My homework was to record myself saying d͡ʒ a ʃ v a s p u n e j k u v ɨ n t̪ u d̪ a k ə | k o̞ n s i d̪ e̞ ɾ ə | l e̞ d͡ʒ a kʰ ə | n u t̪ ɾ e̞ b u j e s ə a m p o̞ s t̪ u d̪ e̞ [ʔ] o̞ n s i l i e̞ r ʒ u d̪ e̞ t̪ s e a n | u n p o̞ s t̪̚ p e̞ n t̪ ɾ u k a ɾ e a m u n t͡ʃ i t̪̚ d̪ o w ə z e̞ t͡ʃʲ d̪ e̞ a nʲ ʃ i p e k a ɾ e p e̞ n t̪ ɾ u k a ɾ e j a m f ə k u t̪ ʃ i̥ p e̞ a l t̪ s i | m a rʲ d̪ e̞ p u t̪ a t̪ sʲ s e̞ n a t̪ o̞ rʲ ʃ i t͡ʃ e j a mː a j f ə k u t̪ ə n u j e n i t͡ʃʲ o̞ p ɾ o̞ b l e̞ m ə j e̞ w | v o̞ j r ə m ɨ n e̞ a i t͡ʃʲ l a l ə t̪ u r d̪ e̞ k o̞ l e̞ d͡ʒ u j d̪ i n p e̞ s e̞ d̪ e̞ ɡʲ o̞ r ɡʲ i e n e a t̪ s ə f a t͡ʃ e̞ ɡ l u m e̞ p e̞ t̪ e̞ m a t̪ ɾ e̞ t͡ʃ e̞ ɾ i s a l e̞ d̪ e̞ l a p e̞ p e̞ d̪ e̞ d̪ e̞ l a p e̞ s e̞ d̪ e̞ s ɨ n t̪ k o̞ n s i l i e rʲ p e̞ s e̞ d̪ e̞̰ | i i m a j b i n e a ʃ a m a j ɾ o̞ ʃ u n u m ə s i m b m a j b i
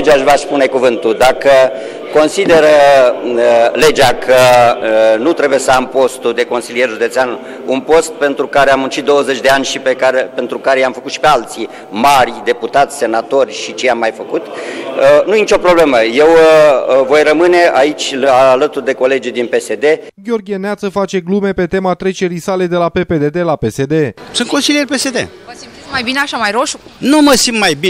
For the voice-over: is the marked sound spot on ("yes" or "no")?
no